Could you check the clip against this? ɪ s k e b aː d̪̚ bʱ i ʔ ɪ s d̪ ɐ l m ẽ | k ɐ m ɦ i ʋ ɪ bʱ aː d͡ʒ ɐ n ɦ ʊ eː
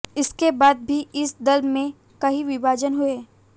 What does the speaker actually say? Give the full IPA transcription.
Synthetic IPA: ɪ s k e b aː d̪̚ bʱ i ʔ ɪ s d̪ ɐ l m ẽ | k ɐ ɦ i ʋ ɪ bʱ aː d͡ʒ ə n ɦ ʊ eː